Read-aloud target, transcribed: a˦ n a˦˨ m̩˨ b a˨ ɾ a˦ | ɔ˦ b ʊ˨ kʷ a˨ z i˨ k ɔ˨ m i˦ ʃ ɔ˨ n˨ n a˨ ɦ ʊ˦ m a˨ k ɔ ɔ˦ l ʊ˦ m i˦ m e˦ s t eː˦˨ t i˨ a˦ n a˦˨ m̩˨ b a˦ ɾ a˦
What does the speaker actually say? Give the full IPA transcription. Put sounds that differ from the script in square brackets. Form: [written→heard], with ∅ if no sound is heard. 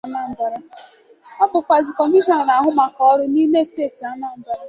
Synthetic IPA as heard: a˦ n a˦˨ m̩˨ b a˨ ɾ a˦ | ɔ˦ b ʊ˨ kʷ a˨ z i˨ k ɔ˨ m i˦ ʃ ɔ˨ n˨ n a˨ ɦ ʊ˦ m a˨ k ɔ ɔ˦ [l→ɾ] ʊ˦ [m→n] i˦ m e˦ s t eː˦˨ t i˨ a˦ n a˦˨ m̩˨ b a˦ ɾ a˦